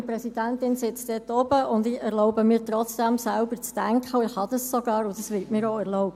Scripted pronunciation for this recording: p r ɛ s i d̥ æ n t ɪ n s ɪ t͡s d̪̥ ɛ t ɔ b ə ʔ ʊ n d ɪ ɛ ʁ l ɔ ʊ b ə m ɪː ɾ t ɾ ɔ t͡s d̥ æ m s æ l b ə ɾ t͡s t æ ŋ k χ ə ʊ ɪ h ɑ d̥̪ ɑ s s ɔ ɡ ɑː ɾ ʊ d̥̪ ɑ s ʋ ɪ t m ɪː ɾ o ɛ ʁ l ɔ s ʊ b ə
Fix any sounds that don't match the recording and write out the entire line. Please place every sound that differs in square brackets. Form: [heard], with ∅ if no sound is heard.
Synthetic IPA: p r ɛ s i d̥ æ n t ɪ n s ɪ t͡s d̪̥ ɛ t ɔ b ə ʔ ʊ n d ɪ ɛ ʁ l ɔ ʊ b ə m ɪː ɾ t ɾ ɔ t͡s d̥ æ m s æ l b ə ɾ t͡s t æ ŋ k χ ə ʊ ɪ h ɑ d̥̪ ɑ s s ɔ ɡ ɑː ɾ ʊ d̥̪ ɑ s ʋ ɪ t m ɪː ɾ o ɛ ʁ l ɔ [∅] ʊ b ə